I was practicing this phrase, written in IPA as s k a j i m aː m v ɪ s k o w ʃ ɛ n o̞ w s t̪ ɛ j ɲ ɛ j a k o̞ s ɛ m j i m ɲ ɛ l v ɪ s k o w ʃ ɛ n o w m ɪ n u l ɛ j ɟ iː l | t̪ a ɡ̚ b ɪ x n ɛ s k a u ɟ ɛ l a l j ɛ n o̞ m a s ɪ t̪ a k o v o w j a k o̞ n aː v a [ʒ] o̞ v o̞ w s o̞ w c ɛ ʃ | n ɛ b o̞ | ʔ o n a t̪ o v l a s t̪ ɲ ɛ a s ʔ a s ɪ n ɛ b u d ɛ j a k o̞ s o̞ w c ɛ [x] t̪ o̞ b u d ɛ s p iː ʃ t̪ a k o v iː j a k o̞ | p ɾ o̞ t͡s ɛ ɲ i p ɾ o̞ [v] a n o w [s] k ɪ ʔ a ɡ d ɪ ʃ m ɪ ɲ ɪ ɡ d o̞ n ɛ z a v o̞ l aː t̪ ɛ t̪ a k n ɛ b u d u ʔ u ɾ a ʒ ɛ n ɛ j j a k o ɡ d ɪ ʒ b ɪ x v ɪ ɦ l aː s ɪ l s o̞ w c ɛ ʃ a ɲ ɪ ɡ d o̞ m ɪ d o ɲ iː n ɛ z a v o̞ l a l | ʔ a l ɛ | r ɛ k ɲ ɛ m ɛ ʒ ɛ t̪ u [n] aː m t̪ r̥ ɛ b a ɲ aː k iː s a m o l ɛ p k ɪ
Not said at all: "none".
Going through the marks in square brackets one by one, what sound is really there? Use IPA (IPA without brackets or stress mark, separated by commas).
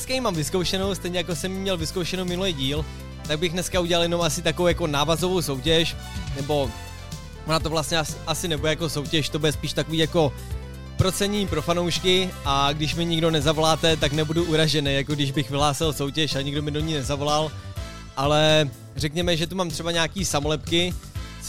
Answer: z, ʃ, f, ʃ, m